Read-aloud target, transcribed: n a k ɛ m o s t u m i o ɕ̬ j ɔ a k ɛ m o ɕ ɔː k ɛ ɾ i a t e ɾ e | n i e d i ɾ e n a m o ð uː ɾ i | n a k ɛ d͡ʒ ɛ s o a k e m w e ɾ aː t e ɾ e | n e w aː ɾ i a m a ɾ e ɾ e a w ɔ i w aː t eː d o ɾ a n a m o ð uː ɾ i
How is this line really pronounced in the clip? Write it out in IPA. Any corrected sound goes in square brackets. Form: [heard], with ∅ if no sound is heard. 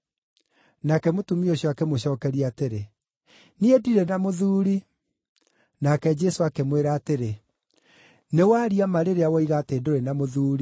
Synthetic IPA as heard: n a k ɛ m o [∅] t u m i o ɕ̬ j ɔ a k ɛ m o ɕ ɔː k ɛ ɾ i a t e ɾ e | n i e d i ɾ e n a m o ð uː ɾ i | n a k ɛ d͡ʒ ɛ s o a k e m w e ɾ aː t e ɾ e | n e w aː ɾ i a m a ɾ e ɾ e a w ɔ i [ɣ] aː t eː d o ɾ [e] n a m o ð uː ɾ i